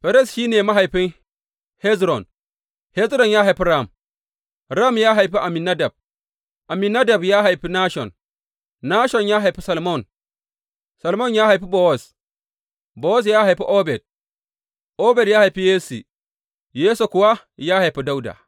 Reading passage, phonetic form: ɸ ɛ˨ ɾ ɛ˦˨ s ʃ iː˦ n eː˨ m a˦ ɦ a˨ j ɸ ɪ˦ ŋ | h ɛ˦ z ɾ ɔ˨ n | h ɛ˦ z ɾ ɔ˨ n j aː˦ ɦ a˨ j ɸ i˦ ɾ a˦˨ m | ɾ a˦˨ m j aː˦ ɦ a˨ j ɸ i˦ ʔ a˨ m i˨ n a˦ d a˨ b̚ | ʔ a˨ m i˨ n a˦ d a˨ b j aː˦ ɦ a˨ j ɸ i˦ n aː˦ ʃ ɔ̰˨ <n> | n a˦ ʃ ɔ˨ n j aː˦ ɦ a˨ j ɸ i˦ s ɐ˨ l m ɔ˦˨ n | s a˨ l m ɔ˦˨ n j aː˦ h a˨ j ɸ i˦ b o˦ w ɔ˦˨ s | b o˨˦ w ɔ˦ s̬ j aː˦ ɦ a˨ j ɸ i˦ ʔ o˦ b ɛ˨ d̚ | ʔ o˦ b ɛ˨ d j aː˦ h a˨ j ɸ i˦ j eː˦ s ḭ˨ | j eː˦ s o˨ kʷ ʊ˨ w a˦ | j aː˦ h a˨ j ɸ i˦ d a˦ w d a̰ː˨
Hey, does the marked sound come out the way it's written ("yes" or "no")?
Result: yes